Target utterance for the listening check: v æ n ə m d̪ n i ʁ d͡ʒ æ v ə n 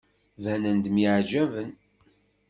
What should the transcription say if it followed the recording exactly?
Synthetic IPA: v æ n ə n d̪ m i ʕ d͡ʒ æ v ə n